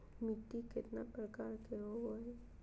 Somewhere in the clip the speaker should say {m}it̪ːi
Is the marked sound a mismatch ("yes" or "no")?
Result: no